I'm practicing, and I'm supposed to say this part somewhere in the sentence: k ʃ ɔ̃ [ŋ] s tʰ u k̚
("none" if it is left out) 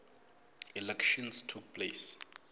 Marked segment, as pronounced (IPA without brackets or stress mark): n